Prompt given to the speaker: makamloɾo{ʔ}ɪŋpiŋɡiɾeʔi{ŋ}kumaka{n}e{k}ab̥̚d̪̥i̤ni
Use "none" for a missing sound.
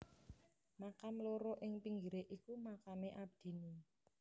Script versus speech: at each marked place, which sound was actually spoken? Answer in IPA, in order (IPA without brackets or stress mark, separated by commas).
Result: ʔ, none, m, ʔ